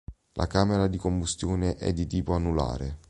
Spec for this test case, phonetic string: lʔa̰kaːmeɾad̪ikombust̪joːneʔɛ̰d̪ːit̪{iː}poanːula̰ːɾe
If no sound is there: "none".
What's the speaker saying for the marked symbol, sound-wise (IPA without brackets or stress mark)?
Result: iː